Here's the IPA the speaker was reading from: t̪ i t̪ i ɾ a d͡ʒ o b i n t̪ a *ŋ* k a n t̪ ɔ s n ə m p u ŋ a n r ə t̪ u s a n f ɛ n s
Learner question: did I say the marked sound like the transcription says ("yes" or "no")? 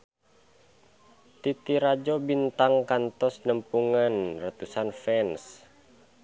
yes